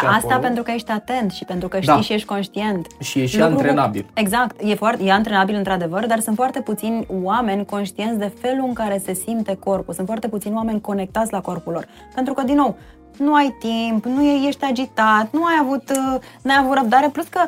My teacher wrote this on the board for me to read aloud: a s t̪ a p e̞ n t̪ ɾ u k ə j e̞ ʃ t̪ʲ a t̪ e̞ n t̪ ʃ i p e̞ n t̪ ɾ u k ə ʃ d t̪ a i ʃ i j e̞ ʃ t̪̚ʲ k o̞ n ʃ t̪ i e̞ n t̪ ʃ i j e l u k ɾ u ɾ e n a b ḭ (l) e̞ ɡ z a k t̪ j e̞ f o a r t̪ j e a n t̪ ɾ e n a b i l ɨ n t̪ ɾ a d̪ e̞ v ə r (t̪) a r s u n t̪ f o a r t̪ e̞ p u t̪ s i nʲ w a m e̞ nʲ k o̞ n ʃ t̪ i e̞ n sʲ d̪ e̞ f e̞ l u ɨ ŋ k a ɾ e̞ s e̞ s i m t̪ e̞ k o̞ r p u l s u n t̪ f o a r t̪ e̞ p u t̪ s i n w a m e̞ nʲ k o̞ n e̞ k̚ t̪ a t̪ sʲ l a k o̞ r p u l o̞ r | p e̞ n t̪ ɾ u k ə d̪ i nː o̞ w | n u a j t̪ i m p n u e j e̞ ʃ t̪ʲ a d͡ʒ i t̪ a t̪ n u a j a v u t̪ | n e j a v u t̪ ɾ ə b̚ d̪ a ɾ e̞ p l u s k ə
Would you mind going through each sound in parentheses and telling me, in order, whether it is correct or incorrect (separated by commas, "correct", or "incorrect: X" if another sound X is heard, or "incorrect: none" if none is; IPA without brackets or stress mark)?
correct, incorrect: d̪